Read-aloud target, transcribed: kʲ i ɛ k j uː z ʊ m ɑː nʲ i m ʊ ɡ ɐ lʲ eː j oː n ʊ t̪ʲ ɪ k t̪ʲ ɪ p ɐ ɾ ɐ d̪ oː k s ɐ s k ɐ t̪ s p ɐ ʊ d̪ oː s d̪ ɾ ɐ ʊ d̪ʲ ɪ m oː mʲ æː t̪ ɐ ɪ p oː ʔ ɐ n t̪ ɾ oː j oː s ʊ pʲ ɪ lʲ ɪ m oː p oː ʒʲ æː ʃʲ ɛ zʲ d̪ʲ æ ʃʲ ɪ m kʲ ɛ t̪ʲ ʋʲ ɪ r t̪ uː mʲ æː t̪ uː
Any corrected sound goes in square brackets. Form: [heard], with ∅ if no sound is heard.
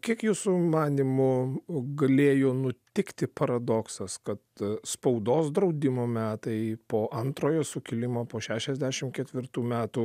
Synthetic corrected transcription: kʲ i ɛ k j uː [s] ʊ m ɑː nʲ i m ʊ ɡ ɐ lʲ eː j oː n ʊ t̪ʲ ɪ k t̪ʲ ɪ p ɐ ɾ ɐ d̪ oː k s ɐ s k ɐ t̪ s p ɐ ʊ d̪ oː s d̪ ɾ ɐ ʊ d̪ʲ ɪ m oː mʲ æː t̪ ɐ ɪ p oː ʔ ɐ n t̪ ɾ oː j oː s ʊ [kʲ] ɪ lʲ ɪ m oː p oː [ʃʲ] æː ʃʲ ɛ zʲ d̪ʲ æ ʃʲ ɪ m kʲ ɛ t̪ʲ ʋʲ ɪ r t̪ uː mʲ æː t̪ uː

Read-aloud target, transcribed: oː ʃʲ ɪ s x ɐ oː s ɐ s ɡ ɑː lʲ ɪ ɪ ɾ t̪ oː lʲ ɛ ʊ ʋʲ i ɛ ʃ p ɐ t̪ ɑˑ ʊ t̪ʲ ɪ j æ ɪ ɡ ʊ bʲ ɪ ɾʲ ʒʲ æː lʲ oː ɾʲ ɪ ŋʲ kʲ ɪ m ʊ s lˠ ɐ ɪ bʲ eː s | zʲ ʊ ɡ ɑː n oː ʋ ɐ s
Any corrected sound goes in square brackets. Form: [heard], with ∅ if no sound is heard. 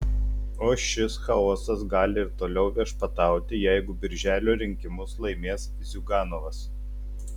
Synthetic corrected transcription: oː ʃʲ ɪ s x ɐ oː s ɐ s ɡ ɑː lʲ ɪ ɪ ɾ t̪ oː lʲ ɛ ʊ ʋʲ i ɛ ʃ p ɐ t̪ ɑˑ ʊ t̪ʲ ɪ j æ ɪ ɡ ʊ bʲ ɪ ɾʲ ʒʲ æː lʲ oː ɾʲ ɪ ŋʲ kʲ ɪ m ʊ s lˠ ɐ ɪ [mʲ] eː s | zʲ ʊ ɡ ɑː n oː ʋ ɐ s

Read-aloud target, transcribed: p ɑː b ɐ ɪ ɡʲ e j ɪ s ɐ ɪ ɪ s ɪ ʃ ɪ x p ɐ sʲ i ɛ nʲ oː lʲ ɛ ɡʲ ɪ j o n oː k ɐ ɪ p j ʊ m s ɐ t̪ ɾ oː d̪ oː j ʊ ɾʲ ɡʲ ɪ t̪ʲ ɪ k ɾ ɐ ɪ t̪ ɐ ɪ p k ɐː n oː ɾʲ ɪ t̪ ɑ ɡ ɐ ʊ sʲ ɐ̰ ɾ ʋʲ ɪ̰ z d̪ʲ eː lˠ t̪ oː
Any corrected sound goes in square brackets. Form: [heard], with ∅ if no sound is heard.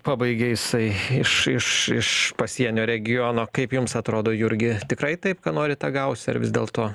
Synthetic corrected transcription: p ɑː b ɐ ɪ ɡʲ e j ɪ s ɐ ɪ ɪ [ʃ] ɪ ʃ ɪ [ʃ] p ɐ sʲ i ɛ nʲ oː [ɾʲ] ɛ ɡʲ ɪ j o n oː k ɐ ɪ p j ʊ m s ɐ t̪ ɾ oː d̪ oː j ʊ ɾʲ ɡʲ ɪ t̪ʲ ɪ k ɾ ɐ ɪ t̪ ɐ ɪ p k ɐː n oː ɾʲ ɪ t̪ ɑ ɡ ɐ ʊ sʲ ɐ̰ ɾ ʋʲ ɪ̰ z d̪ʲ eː lˠ t̪ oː

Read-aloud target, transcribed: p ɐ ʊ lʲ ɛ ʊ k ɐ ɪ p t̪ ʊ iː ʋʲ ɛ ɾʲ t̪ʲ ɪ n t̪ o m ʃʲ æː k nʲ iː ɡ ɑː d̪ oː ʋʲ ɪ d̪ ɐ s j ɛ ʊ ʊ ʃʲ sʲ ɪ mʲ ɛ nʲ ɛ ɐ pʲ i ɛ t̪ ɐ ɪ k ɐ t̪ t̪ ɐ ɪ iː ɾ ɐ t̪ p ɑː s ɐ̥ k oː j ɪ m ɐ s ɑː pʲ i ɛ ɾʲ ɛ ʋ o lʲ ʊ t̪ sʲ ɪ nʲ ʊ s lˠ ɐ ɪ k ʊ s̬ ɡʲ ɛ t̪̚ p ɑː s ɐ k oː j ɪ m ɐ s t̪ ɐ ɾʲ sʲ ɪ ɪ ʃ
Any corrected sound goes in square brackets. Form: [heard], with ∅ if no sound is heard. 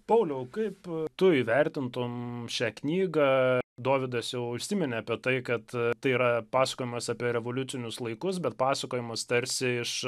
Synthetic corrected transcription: p ɐ ʊ lʲ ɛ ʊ k ɐ ɪ p t̪ ʊ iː ʋʲ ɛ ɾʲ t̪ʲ ɪ n t̪ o m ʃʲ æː k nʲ iː ɡ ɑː d̪ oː ʋʲ ɪ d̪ ɐ s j ɛ ʊ ʊ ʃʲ sʲ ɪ mʲ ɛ nʲ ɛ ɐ pʲ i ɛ t̪ ɐ ɪ k ɐ t̪ t̪ ɐ ɪ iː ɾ ɐ [∅] p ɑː s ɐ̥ k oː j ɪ m ɐ s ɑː pʲ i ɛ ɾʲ ɛ ʋ o lʲ ʊ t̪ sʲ ɪ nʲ ʊ s lˠ ɐ ɪ k ʊ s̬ [bʲ] ɛ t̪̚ p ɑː s ɐ k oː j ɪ m ɐ s t̪ ɐ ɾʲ sʲ ɪ ɪ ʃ

